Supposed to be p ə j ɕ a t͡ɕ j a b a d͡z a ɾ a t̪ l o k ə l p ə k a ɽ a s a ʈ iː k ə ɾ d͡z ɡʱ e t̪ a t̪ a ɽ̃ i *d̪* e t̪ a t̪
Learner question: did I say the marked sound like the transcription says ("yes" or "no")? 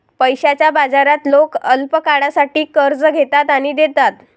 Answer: yes